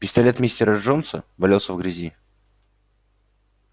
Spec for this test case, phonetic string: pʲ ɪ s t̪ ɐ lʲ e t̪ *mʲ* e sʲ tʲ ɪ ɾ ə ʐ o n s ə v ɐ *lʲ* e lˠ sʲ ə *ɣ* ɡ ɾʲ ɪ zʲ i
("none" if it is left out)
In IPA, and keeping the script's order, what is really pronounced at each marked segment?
mʲ, lʲ, v

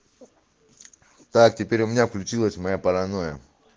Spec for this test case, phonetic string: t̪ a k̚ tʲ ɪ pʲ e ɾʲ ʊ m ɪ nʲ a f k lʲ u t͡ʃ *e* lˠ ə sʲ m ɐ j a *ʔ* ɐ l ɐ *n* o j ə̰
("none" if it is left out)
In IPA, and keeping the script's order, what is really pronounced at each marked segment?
i, p, n

